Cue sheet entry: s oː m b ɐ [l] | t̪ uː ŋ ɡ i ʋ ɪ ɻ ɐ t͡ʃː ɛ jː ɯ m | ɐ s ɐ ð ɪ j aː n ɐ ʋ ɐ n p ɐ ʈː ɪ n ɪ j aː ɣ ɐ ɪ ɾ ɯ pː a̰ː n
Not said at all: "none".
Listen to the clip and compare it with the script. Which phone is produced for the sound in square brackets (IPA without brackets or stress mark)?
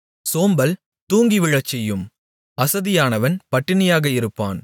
l